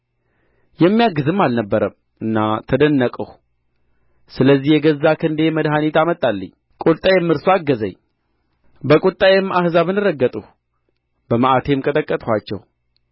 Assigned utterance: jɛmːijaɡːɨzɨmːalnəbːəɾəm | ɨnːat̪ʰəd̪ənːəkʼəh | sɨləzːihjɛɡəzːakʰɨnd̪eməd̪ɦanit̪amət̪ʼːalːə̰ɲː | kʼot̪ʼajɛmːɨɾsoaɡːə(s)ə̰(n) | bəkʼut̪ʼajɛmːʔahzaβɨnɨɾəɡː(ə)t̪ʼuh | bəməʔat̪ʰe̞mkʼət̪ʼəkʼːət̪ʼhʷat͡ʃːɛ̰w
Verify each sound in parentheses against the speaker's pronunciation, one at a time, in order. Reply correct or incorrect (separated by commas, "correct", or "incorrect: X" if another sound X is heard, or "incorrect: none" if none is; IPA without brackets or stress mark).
incorrect: z, incorrect: ɲ, correct